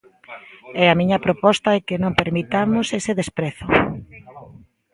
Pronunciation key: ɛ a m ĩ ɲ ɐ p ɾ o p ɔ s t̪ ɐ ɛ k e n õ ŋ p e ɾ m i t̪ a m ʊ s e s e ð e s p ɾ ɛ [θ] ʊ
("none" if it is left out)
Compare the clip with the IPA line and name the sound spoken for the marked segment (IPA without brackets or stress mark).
θ